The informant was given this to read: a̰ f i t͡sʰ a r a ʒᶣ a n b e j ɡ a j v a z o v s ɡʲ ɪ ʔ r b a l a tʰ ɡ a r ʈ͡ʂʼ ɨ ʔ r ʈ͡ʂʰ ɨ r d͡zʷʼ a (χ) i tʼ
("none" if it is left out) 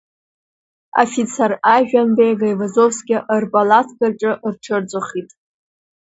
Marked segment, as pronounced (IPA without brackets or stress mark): χ